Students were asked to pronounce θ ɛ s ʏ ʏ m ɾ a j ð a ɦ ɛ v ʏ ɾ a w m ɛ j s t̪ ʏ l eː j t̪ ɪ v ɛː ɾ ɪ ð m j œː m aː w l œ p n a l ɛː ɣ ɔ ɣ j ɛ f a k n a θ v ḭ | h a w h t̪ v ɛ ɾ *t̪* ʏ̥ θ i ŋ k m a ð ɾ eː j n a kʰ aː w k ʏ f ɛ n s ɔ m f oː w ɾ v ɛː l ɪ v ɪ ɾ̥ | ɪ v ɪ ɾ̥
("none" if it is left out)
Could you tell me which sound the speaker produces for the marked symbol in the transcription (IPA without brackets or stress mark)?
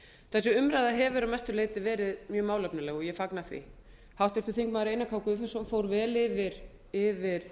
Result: t̪